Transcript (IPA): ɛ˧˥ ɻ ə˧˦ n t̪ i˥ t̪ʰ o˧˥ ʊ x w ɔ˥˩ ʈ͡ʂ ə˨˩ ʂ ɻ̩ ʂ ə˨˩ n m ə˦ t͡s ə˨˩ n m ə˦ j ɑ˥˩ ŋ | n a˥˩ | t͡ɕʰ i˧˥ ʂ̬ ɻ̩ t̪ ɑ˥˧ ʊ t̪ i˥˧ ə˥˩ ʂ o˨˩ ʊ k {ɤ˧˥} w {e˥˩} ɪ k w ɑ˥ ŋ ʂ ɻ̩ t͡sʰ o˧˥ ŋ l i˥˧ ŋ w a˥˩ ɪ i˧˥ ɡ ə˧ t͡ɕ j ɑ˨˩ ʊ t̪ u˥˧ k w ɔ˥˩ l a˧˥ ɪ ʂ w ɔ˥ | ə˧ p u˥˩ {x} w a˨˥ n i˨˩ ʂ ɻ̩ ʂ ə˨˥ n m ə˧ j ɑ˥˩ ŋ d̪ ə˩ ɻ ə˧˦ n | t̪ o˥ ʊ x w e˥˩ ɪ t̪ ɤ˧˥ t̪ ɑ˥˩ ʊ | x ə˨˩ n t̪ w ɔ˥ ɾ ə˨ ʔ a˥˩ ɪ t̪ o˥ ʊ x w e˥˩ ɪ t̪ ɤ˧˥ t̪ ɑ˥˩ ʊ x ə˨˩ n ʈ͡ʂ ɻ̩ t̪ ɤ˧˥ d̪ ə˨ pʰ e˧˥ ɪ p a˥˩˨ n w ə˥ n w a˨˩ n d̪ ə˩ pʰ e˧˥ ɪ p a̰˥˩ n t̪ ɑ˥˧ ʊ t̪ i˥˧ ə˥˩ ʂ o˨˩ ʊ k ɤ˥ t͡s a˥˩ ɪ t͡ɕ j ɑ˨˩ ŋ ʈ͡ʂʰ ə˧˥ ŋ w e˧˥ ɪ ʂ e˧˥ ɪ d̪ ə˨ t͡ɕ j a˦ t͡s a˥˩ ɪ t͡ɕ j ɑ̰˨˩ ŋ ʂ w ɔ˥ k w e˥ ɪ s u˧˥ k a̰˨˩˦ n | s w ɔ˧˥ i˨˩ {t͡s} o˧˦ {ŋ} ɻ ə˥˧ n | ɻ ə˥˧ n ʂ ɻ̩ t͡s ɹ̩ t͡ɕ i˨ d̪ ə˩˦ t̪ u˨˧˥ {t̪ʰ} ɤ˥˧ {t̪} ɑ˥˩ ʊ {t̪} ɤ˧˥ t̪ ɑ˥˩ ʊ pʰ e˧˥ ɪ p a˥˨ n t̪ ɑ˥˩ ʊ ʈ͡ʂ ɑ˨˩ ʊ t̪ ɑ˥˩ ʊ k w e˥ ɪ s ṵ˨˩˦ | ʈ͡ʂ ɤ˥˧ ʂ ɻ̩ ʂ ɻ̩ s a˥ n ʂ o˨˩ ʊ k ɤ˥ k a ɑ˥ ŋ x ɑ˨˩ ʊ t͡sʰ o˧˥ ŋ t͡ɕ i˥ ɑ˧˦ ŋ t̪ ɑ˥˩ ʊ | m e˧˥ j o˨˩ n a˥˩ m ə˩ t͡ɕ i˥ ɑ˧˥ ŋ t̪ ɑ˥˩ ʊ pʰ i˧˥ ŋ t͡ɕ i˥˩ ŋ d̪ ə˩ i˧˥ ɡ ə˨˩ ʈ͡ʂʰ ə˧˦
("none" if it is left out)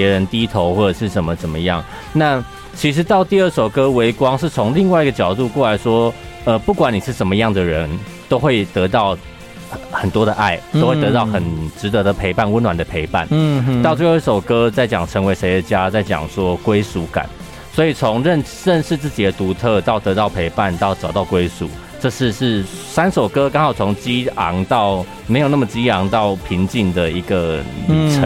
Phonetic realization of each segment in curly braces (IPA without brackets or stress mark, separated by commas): ɤ˥, e˧˥, k, t͡sʰ, ŋ, t̪ʰ, t̪, t̪